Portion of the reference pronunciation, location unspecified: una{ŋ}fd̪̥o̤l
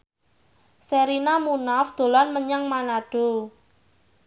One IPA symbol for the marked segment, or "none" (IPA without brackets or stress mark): none